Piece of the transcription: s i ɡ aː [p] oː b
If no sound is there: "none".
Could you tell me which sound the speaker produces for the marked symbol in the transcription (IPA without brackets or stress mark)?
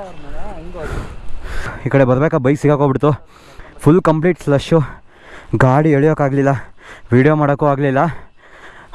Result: k